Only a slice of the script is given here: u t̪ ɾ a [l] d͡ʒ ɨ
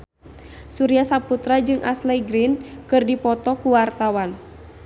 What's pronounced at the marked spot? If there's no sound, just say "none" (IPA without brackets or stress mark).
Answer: none